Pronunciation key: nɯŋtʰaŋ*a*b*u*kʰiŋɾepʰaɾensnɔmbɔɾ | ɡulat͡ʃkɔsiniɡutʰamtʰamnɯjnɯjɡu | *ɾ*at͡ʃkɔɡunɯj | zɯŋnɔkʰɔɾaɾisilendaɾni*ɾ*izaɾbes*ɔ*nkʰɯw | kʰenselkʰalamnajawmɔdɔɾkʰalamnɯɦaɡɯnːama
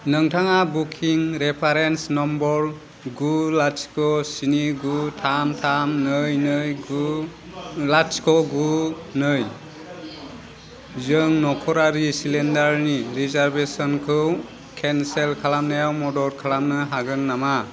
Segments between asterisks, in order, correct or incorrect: correct, correct, incorrect, correct, correct

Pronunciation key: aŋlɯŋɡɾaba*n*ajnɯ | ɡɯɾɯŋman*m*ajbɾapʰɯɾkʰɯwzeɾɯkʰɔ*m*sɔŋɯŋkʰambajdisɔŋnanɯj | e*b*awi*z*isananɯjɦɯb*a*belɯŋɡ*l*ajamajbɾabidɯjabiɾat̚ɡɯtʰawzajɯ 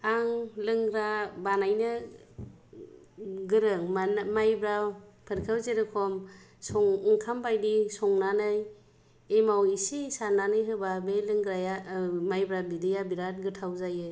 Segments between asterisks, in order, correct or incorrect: correct, correct, correct, incorrect, incorrect, correct, incorrect

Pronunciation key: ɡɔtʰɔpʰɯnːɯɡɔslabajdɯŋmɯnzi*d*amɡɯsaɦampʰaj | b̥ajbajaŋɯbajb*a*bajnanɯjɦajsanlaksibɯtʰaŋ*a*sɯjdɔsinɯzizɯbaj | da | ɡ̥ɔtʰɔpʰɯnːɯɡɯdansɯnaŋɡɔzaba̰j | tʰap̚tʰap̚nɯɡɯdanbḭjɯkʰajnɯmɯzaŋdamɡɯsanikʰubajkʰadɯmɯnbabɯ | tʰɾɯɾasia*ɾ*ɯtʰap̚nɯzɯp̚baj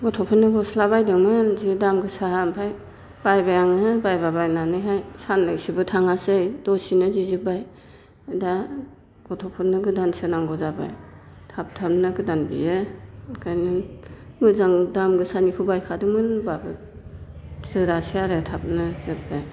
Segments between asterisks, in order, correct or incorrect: correct, correct, correct, correct

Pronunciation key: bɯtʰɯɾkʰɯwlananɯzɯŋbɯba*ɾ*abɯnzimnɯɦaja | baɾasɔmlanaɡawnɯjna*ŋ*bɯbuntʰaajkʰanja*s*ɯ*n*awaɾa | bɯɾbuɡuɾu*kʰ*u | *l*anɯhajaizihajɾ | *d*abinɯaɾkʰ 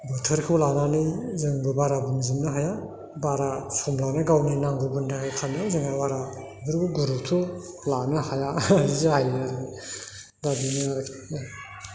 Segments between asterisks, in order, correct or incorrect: correct, correct, incorrect, incorrect, incorrect, correct, correct

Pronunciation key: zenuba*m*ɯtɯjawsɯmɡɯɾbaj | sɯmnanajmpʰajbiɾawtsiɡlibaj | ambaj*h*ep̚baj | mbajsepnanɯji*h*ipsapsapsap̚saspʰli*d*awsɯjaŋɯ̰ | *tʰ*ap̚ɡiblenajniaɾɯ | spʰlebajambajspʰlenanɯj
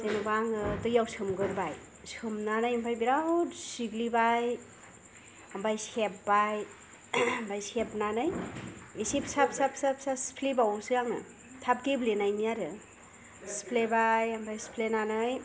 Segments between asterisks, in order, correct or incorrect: incorrect, incorrect, incorrect, incorrect, correct

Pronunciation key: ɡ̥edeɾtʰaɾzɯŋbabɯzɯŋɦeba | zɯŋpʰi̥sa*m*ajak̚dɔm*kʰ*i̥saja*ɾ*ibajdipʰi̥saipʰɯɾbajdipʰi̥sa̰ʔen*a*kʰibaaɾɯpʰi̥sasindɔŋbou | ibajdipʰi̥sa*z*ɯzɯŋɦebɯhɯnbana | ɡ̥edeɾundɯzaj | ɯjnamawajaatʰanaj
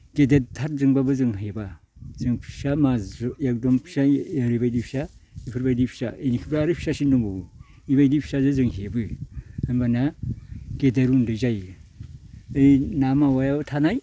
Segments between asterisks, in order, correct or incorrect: correct, incorrect, correct, incorrect, correct

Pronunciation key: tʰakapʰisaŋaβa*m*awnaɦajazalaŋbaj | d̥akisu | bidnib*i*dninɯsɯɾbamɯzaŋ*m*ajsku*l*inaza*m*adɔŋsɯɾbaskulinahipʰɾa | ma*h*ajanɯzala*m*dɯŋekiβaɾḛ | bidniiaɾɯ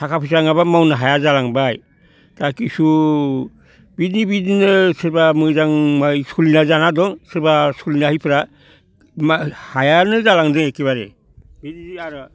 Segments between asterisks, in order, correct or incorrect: correct, correct, correct, correct, incorrect, correct, incorrect

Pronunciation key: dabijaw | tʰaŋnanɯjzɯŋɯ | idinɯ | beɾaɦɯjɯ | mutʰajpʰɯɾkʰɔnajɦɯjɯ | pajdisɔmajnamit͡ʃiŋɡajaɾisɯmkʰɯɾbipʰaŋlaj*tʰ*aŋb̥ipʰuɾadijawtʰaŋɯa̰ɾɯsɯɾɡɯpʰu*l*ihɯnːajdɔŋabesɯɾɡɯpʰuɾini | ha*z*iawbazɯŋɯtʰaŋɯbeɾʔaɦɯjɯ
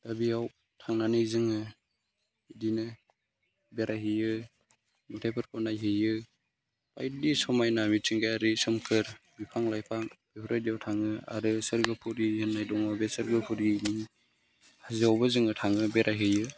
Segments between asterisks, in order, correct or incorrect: incorrect, incorrect, correct

